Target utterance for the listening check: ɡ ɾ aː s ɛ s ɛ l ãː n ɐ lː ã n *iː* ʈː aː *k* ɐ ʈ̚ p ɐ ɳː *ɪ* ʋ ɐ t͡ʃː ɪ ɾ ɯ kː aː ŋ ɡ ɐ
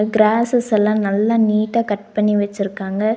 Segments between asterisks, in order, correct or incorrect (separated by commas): correct, correct, incorrect